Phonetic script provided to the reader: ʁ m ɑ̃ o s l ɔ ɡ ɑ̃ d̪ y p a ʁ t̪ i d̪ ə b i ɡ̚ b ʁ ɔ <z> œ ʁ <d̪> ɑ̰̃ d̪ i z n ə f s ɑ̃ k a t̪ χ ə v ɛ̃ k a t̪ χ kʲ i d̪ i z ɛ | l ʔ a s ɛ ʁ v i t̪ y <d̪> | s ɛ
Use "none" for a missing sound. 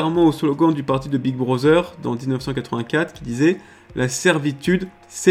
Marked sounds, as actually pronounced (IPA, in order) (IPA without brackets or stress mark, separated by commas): z, d̪, d̪